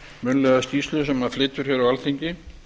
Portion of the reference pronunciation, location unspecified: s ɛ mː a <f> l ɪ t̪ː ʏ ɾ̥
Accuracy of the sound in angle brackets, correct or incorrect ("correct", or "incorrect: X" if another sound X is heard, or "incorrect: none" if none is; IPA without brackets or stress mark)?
correct